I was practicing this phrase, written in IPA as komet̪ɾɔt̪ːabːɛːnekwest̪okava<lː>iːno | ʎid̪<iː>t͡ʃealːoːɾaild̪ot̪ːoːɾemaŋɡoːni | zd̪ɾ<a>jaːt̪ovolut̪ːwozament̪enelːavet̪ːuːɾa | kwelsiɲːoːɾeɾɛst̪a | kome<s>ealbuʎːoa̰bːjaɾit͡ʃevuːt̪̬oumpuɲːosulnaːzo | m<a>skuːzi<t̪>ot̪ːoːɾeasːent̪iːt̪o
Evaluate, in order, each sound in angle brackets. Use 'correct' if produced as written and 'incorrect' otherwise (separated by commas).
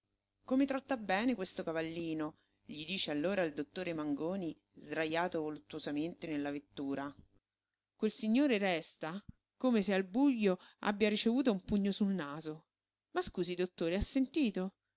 correct, correct, correct, correct, correct, incorrect